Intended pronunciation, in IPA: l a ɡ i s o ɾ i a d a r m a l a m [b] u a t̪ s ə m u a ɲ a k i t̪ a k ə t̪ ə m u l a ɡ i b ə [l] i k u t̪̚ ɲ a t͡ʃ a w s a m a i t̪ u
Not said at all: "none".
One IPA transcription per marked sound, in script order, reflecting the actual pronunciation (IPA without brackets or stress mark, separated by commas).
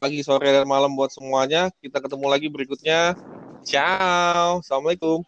b, ɾ